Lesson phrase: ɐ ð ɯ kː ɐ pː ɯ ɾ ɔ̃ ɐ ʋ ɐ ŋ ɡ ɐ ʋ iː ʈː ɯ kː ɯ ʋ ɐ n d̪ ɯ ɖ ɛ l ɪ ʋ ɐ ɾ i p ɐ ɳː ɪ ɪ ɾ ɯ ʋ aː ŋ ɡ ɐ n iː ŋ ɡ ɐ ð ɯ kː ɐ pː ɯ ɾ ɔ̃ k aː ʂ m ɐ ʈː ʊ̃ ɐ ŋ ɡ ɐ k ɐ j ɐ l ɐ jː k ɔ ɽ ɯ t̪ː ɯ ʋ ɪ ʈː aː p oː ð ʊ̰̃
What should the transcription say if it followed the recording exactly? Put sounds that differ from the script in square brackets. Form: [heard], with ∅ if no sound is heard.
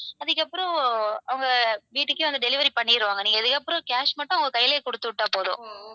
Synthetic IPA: ɐ ð ɯ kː ɐ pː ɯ ɾ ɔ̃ ɐ ʋ ɐ ŋ ɡ ɐ ʋ iː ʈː ɯ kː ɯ ʋ ɐ n d̪ ɯ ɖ ɛ l ɪ ʋ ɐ ɾ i p ɐ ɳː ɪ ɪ ɾ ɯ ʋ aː ŋ ɡ ɐ n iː ŋ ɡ ɐ ð ɯ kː ɐ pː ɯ ɾ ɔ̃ k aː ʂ m ɐ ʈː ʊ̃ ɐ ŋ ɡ ɐ k ɐ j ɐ l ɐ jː k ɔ ɽ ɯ t̪ː ɯ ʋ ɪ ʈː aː p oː ð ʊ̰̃